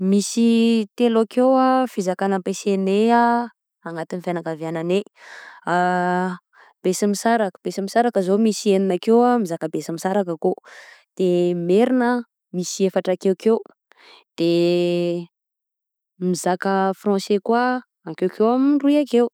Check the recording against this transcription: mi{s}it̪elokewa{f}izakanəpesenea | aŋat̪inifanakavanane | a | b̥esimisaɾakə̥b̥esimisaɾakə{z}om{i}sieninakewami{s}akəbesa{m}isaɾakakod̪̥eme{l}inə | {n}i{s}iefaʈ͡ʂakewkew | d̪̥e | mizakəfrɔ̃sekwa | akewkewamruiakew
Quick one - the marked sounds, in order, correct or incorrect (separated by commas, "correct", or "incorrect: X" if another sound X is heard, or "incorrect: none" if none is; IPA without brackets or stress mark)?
correct, correct, correct, correct, incorrect: z, correct, incorrect: ɾ, incorrect: m, correct